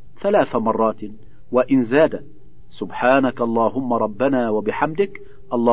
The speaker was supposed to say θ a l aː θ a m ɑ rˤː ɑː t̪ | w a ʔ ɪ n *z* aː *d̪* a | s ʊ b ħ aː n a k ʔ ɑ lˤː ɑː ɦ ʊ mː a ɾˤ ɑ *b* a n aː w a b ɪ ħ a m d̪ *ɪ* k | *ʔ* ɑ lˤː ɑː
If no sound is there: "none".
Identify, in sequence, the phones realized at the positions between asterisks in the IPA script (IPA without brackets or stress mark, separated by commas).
z, d̪, bː, ɪ, ʔ